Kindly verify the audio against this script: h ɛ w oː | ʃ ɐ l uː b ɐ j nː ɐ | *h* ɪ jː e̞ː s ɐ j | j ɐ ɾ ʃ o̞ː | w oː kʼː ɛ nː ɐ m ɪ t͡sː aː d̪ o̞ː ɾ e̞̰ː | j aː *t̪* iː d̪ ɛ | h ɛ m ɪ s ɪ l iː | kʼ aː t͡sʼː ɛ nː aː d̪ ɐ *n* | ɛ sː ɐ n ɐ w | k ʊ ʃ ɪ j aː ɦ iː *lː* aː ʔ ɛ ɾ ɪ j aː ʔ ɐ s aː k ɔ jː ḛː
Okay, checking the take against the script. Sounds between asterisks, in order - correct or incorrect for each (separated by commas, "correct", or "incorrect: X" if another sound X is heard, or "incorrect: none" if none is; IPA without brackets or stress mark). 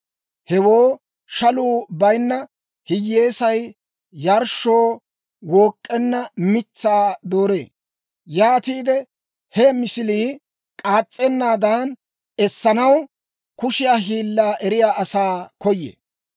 correct, correct, correct, correct